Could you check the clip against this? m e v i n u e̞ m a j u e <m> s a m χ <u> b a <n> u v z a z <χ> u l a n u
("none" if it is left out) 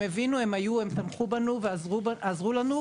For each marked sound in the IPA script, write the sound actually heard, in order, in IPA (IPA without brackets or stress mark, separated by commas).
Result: m, u, n, ʁ